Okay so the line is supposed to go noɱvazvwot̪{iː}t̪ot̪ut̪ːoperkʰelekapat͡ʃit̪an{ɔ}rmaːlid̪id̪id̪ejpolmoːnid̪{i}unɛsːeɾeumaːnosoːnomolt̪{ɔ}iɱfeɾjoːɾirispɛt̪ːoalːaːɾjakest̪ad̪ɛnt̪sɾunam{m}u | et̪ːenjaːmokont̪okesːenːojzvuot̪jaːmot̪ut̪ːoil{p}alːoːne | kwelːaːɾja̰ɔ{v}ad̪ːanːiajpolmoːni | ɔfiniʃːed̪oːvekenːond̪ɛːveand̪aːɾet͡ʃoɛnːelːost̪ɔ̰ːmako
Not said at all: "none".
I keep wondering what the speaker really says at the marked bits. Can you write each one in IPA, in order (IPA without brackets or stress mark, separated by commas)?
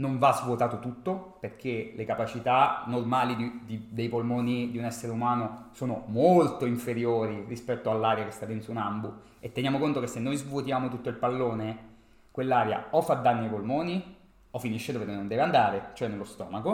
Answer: aː, o, i, o, b, p, f